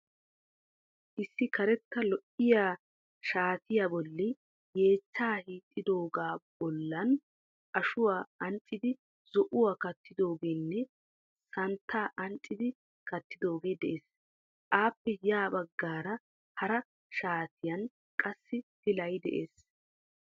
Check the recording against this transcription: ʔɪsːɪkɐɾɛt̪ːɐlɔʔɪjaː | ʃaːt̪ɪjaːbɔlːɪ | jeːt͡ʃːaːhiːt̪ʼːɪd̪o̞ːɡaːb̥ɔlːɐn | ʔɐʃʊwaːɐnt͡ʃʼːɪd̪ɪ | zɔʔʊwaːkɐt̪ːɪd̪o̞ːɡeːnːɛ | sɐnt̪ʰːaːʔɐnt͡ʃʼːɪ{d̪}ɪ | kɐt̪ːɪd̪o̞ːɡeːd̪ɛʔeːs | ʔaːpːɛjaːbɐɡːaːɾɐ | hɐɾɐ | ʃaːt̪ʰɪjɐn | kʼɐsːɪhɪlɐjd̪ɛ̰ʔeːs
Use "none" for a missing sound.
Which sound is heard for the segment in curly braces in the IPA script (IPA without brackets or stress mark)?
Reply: d̪